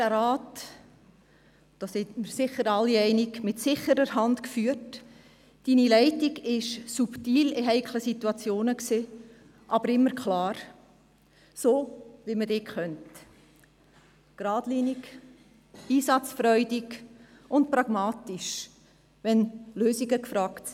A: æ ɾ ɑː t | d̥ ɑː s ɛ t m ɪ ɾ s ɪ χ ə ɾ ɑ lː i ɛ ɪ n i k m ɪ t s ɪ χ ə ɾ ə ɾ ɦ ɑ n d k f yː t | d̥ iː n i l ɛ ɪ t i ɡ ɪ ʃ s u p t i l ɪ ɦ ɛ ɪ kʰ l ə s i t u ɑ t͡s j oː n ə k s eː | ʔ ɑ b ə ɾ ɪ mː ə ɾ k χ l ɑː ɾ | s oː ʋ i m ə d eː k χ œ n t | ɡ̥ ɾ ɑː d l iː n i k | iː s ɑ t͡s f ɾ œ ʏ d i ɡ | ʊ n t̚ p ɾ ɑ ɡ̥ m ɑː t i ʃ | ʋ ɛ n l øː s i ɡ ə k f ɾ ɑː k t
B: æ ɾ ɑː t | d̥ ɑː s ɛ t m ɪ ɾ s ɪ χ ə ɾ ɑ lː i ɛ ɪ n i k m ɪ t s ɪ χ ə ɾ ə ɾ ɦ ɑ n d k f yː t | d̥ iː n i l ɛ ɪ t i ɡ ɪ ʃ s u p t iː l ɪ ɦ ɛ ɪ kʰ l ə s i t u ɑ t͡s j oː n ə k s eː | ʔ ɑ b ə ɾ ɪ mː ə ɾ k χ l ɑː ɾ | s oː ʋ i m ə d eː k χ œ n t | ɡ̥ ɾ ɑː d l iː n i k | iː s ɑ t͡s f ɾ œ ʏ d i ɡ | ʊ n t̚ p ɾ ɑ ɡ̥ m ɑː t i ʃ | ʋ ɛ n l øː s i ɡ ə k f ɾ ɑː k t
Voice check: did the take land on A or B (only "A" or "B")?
B